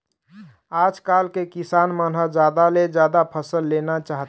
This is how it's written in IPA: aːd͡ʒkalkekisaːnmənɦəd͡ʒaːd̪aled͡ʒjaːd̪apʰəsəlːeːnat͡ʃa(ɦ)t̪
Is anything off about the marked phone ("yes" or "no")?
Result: no